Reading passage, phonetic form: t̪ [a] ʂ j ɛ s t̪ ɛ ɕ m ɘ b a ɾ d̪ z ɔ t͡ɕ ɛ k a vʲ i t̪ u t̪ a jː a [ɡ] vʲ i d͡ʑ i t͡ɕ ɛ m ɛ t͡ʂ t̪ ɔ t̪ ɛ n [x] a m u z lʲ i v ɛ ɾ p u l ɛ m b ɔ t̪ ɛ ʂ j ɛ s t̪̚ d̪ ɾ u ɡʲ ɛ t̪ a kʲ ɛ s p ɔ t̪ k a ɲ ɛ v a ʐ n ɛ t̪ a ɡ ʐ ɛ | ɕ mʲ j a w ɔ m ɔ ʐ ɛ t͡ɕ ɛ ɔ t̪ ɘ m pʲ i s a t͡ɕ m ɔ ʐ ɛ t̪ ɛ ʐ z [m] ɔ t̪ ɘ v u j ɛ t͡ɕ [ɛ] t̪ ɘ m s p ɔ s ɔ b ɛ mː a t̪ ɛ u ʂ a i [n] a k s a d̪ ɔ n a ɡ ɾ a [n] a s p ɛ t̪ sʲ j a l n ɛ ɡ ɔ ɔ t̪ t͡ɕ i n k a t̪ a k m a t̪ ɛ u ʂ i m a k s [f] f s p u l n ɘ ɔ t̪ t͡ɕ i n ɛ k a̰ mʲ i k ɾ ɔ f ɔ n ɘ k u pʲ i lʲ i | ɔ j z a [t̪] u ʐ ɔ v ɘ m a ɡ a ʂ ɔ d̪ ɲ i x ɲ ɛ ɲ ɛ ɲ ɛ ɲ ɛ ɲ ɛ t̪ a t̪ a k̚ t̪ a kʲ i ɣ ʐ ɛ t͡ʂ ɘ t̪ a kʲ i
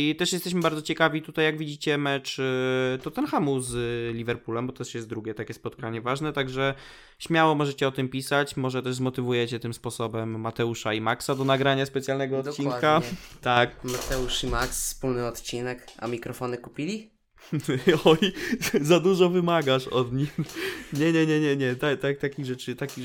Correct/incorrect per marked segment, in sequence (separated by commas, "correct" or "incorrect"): incorrect, correct, correct, correct, correct, incorrect, incorrect, correct, incorrect